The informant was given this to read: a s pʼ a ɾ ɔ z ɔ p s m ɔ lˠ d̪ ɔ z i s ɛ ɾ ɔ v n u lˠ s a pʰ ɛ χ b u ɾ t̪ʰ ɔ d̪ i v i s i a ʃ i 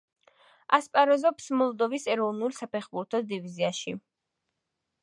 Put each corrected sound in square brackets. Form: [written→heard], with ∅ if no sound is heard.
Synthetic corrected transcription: a s pʼ a ɾ ɔ z ɔ p s m ɔ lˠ d̪ ɔ [z→v] i s ɛ ɾ ɔ v n u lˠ s a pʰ ɛ χ b u ɾ t̪ʰ ɔ d̪ i v i [s→z] i a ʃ i

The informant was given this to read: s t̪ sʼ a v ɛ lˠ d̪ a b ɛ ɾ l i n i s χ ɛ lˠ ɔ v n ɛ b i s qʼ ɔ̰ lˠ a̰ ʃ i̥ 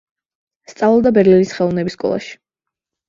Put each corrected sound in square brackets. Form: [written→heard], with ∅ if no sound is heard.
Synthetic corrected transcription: s t̪ sʼ a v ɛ lˠ d̪ a b ɛ ɾ l i n i s χ ɛ lˠ ɔ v n ɛ b i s [qʼ→kʼ] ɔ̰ lˠ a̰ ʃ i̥

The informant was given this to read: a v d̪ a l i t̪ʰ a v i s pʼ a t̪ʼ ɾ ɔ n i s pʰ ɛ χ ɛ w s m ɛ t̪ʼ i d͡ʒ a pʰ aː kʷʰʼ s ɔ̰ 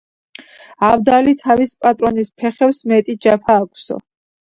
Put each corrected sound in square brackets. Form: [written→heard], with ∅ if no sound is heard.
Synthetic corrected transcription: a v d̪ a l i t̪ʰ a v i s pʼ a t̪ʼ ɾ ɔ n i s pʰ ɛ χ ɛ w s m ɛ t̪ʼ i d͡ʒ a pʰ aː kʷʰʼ s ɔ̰

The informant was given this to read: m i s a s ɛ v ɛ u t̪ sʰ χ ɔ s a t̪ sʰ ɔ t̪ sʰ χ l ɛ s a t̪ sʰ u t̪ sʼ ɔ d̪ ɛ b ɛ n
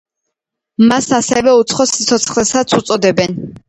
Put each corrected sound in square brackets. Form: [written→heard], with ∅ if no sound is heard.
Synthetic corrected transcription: m [i→a] s a s ɛ v ɛ u t̪ sʰ χ ɔ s [a→i] t̪ sʰ ɔ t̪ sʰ χ l ɛ s a t̪ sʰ u t̪ sʼ ɔ d̪ ɛ b ɛ n

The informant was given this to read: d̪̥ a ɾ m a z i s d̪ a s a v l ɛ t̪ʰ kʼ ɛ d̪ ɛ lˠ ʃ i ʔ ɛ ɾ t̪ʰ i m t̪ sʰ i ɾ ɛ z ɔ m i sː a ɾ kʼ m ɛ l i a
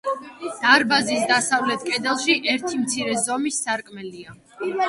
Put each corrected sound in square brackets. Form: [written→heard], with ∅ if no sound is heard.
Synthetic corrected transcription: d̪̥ a ɾ [m→b] a z i s d̪ a s a v l ɛ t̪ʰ kʼ ɛ d̪ ɛ lˠ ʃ i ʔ ɛ ɾ t̪ʰ i m t̪ sʰ i ɾ ɛ z ɔ m i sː a ɾ kʼ m ɛ l i a

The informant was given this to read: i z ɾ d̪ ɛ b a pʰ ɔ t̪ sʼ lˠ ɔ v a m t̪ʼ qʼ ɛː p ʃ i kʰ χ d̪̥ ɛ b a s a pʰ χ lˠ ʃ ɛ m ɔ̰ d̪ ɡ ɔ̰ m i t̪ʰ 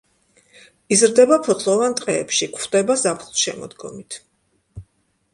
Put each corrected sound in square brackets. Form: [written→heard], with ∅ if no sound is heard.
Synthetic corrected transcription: i z ɾ d̪ ɛ b a pʰ ɔ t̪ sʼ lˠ ɔ v a [m→n] t̪ʼ qʼ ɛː p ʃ i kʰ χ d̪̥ ɛ b a [s→z] a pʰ χ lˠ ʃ ɛ m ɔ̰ d̪ ɡ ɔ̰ m i t̪ʰ

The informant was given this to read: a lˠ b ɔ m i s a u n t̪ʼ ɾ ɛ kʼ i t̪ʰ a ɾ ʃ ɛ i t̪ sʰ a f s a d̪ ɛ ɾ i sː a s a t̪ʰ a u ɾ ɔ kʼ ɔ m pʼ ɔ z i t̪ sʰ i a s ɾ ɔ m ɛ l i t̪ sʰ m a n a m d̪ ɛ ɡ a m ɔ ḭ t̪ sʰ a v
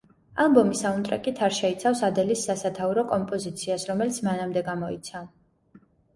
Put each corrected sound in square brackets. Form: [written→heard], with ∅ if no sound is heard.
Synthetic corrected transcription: a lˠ b ɔ m i s a u n t̪ʼ ɾ ɛ kʼ i t̪ʰ a ɾ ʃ ɛ i t̪ sʰ a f s a d̪ ɛ [ɾ→l] i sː a s a t̪ʰ a u ɾ ɔ kʼ ɔ m pʼ ɔ z i t̪ sʰ i a s ɾ ɔ m ɛ l i t̪ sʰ m a n a m d̪ ɛ ɡ a m ɔ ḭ t̪ sʰ a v

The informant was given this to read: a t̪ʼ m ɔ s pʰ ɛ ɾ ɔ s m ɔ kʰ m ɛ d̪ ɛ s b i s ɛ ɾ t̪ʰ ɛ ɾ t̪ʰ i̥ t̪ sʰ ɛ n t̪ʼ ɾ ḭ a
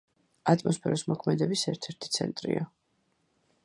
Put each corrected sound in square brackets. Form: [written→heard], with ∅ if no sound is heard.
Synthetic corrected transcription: a t̪ʼ m ɔ s pʰ ɛ ɾ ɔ s m ɔ kʰ m ɛ d̪ ɛ [s→∅] b i s ɛ ɾ t̪ʰ ɛ ɾ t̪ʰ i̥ t̪ sʰ ɛ n t̪ʼ ɾ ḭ a

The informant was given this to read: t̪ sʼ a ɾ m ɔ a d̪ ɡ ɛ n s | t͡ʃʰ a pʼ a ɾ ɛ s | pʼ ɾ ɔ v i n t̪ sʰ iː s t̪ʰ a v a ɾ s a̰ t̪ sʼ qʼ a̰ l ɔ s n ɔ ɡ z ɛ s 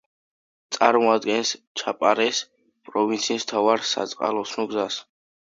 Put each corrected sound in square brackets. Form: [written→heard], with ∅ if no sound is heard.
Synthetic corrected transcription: t̪ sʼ a ɾ m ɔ a d̪ ɡ ɛ n s | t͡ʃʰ a pʼ a ɾ ɛ s | pʼ ɾ ɔ v i n t̪ sʰ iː s t̪ʰ a v a ɾ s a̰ t̪ sʼ qʼ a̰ l ɔ s n ɔ ɡ z [ɛ→a] s

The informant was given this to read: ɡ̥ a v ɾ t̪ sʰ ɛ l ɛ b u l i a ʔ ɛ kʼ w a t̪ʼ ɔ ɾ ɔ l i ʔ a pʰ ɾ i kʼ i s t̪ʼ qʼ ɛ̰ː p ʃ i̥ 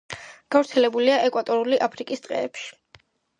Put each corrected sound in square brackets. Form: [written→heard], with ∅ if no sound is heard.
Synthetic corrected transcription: ɡ̥ a v ɾ t̪ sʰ ɛ l ɛ b u l i a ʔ ɛ kʼ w a t̪ʼ ɔ ɾ [ɔ→u] l i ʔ a pʰ ɾ i kʼ i s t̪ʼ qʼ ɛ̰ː p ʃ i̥

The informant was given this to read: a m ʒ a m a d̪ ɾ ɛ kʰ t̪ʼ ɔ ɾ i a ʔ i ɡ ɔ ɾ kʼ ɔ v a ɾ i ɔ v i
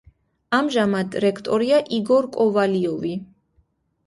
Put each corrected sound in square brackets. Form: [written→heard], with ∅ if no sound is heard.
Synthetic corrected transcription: a m ʒ a m a d̪ ɾ ɛ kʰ t̪ʼ ɔ ɾ i a ʔ i ɡ ɔ ɾ kʼ ɔ v a [ɾ→l] i ɔ v i

